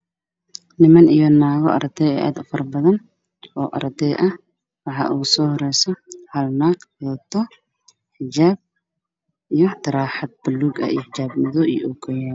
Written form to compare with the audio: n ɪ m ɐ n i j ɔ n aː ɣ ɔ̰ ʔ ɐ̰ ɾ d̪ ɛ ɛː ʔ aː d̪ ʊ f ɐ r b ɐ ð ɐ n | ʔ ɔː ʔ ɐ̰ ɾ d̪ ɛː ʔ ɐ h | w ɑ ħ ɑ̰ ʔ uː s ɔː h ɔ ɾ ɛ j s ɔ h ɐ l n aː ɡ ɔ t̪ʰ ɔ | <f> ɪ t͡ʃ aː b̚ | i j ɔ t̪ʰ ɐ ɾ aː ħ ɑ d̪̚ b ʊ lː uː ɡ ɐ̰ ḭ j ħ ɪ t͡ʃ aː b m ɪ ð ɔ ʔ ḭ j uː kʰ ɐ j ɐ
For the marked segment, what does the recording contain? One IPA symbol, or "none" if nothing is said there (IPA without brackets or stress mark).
ħ